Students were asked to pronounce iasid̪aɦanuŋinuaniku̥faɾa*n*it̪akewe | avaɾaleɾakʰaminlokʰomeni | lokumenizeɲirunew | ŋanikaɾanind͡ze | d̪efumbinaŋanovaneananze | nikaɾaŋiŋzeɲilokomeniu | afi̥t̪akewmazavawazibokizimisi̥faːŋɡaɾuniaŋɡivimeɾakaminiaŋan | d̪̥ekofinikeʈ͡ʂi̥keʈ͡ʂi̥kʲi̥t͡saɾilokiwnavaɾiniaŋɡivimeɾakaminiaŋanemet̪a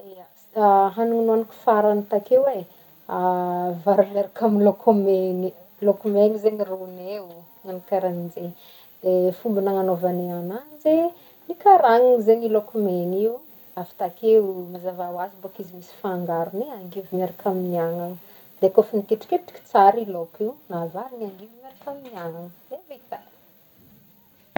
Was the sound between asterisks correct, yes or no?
yes